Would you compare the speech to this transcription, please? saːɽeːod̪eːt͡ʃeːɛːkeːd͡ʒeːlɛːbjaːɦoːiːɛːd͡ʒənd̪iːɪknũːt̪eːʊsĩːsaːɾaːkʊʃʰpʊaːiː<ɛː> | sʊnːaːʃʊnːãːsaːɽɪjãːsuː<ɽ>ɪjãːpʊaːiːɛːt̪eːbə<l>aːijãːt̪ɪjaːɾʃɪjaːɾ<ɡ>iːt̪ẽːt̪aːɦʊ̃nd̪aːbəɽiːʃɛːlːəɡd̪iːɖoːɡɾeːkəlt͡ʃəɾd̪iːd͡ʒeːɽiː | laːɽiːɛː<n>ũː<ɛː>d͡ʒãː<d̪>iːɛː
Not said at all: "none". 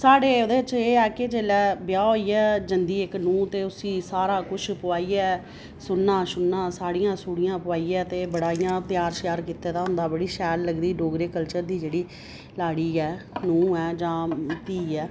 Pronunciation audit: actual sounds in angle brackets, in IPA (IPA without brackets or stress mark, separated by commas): ɛː, ɽ, ɽ, k, n, ɛː, t̪